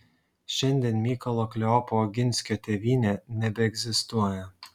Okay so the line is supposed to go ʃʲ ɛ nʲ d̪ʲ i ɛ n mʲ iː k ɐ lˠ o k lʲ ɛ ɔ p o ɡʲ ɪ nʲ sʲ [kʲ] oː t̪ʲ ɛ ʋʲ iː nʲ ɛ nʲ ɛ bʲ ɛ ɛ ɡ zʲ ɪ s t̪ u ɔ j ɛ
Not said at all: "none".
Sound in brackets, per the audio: kʲ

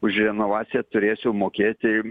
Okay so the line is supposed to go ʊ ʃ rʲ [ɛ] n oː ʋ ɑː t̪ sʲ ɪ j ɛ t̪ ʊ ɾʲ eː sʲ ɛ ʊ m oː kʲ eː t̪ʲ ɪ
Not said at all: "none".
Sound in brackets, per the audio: ɛ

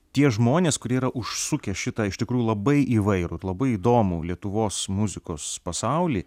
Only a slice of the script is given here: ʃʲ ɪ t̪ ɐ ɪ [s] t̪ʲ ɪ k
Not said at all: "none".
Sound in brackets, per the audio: ʃ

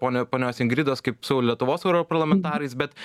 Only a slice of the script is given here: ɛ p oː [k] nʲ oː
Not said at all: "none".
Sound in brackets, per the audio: none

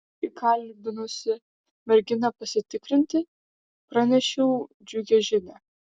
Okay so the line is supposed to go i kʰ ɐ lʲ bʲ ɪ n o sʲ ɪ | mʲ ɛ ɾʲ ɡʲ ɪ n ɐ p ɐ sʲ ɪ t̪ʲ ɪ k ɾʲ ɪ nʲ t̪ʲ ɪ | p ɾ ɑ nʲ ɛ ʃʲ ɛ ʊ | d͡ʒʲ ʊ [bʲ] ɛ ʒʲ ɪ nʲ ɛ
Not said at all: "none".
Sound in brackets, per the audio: ɡʲ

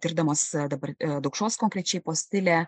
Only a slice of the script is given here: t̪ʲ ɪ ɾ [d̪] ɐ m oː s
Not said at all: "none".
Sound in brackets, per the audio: d̪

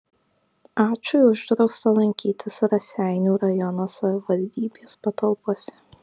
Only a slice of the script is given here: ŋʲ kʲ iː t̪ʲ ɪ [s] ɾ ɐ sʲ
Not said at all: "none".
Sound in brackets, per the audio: s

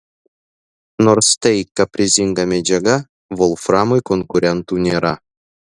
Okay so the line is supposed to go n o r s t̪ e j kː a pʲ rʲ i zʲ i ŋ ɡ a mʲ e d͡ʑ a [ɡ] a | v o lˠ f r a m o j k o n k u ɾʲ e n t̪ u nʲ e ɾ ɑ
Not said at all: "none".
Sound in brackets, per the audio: ɡ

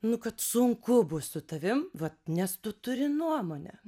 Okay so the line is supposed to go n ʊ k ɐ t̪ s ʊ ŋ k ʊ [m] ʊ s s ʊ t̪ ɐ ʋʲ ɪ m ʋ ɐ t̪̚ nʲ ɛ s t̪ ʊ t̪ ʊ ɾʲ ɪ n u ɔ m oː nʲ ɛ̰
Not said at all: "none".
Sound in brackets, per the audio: b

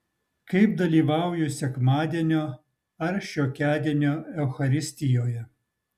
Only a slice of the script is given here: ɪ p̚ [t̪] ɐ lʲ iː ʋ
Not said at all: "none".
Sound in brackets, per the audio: d̪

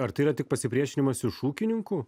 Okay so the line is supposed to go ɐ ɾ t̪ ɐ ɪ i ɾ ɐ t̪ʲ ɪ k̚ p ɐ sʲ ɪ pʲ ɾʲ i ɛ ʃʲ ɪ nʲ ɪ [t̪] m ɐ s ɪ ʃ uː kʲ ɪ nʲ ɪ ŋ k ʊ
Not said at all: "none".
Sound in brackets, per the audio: none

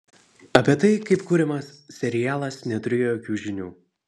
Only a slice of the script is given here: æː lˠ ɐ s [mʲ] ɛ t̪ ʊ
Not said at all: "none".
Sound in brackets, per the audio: nʲ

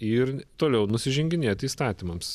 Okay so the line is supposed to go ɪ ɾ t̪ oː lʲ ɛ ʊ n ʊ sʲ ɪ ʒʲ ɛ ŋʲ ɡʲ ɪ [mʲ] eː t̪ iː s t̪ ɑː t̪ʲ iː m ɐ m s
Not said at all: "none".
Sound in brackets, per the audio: nʲ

